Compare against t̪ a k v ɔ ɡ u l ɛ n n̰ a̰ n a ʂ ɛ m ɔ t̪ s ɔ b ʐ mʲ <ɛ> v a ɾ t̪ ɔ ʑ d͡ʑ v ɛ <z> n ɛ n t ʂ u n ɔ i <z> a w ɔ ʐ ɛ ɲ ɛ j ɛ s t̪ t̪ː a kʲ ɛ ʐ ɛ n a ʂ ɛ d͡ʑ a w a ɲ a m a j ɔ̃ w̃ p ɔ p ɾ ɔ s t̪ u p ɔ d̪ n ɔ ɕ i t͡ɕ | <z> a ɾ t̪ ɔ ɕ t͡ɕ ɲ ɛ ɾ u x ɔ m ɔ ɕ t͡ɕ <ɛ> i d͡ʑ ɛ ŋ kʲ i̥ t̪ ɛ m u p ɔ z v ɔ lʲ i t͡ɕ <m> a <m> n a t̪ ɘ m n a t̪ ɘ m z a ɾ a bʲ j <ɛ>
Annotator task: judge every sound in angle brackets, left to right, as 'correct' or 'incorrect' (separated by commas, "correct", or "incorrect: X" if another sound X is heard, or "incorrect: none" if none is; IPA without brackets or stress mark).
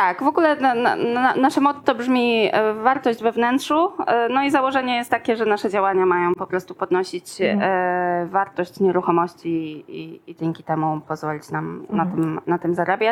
incorrect: i, incorrect: v, correct, incorrect: v, incorrect: i, incorrect: n, correct, incorrect: a